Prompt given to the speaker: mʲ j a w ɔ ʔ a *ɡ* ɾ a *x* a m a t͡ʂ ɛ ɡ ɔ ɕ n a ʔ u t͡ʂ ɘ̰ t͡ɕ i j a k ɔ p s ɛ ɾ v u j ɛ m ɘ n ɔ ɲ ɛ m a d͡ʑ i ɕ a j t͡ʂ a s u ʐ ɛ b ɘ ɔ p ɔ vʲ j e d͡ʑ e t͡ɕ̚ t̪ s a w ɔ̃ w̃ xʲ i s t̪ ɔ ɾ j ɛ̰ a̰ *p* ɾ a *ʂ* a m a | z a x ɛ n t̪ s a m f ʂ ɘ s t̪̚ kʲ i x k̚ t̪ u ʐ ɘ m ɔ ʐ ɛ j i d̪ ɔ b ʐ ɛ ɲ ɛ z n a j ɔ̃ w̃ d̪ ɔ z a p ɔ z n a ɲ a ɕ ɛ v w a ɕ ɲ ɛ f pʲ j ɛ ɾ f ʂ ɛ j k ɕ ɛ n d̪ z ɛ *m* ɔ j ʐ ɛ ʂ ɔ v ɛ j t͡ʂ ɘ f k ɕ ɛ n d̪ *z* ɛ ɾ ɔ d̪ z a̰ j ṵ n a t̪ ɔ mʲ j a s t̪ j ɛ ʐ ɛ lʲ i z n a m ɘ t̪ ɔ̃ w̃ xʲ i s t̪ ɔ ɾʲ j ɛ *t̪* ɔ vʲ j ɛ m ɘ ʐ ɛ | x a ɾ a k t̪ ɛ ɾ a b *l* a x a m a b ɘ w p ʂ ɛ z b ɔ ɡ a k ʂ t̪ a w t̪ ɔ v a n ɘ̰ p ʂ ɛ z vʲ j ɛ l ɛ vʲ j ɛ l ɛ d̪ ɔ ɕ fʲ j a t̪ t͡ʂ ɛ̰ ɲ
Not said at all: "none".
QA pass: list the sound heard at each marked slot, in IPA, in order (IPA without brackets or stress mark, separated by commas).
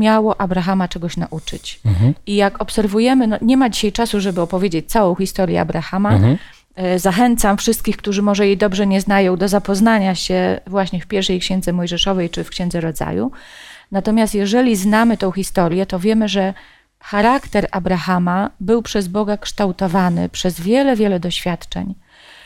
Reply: b, x, b, x, m, z, t̪, ɾ